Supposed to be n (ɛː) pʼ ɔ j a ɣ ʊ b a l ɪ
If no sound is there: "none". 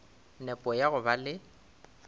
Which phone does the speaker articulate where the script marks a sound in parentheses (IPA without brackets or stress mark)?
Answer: ɛ